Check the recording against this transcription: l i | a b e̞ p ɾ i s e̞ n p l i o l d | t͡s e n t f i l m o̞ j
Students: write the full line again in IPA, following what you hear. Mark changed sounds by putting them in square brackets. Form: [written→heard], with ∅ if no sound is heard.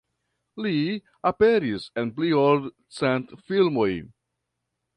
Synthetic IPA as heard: l i | a [b→p] e̞ [p→∅] ɾ i s e̞ n p l i o l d | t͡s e n t f i l m o̞ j